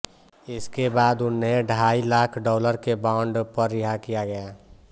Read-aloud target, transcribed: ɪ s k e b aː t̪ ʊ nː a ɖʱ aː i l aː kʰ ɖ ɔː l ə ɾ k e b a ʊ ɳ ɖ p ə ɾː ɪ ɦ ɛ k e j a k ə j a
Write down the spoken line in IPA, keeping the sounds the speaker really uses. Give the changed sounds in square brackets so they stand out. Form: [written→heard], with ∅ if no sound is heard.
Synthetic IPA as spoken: ɪ s k e b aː [t̪→d̪] ʊ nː [a→e] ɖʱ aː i l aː kʰ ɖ ɔː l ə ɾ k e b a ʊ ɳ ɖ p ə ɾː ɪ ɦ [ɛ→a] k [e→i] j a [k→ɡ] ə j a